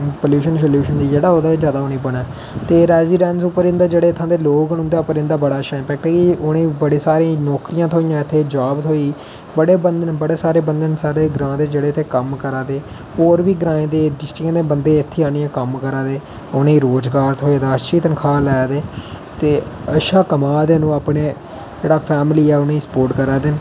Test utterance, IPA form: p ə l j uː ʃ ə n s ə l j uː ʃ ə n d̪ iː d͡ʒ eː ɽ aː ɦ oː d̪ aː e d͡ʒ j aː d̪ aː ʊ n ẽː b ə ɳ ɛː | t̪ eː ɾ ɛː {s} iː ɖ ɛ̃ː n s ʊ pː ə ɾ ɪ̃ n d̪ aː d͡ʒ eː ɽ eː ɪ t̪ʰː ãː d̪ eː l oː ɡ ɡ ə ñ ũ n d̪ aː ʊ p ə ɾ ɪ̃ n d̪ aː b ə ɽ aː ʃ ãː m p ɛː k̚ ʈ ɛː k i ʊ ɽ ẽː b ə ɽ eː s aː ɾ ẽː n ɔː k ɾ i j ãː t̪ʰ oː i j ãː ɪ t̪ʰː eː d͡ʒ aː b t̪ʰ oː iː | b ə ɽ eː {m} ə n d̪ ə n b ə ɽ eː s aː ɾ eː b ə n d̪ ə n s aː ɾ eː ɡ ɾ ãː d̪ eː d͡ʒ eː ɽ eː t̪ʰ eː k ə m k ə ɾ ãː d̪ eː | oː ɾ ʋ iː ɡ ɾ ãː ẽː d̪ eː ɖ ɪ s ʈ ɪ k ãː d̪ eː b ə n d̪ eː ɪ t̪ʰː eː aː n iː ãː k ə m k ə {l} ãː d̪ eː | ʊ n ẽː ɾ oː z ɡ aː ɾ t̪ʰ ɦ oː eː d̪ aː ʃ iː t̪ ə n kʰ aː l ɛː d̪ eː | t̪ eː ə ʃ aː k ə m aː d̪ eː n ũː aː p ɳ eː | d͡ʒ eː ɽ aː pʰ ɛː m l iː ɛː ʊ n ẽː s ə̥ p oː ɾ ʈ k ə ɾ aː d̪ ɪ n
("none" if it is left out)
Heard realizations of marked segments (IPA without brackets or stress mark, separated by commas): z, b, ɾ